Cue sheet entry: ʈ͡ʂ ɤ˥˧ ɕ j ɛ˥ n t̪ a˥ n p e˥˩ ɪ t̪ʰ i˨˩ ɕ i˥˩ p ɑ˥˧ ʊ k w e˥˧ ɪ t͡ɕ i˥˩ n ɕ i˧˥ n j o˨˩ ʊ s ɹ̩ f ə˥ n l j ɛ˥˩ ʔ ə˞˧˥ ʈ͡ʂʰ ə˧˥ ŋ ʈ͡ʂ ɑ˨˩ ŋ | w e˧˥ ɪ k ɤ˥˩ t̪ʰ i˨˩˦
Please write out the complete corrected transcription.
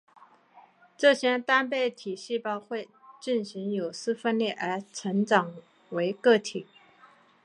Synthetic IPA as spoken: ʈ͡ʂ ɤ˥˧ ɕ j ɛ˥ n t̪ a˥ n p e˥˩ ɪ t̪ʰ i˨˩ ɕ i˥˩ p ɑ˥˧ ʊ x w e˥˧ ɪ t͡ɕ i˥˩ n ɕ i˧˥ ŋ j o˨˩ ʊ s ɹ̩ f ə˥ n l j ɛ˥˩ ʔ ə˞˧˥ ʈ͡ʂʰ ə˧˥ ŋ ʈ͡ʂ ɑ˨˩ ŋ | w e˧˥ ɪ k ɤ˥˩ t̪ʰ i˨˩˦